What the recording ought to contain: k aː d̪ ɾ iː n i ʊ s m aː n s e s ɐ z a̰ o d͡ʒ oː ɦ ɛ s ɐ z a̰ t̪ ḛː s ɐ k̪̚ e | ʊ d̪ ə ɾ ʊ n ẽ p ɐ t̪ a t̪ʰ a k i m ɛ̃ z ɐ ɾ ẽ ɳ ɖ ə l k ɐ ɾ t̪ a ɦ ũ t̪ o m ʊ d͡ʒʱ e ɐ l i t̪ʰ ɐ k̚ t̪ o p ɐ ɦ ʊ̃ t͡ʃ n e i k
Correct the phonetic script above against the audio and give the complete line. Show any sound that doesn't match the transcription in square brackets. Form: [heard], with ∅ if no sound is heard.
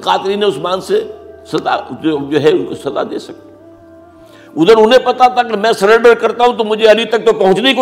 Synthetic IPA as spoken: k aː [t̪] ɾ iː n [e] ʊ s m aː n s e s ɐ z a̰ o d͡ʒ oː ɦ ɛ s ɐ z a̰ [d̪] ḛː s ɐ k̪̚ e | ʊ d̪ ə ɾ ʊ n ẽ p ɐ t̪ a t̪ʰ a k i m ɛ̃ [s] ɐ ɾ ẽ ɳ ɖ ə [ɾ] k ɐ ɾ t̪ a ɦ ũ t̪ o m ʊ d͡ʒʱ e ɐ l i [t̪] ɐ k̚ t̪ o p ɐ ɦ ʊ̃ t͡ʃ n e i k